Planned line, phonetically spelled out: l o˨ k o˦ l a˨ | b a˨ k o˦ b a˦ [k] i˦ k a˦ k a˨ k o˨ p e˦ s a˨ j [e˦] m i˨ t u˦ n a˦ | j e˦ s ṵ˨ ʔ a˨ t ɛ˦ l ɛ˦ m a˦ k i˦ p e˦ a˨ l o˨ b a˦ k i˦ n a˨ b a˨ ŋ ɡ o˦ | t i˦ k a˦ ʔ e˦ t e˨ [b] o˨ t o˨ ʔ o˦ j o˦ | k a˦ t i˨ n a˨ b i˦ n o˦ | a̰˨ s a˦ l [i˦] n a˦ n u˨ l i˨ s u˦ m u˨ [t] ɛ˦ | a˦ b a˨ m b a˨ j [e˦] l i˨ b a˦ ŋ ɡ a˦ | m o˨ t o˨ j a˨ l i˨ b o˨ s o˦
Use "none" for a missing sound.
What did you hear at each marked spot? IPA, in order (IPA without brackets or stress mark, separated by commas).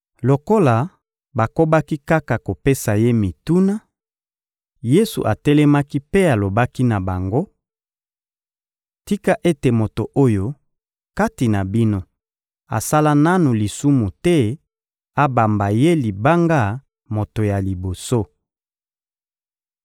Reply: k, e˦, m, a˦, t, e˦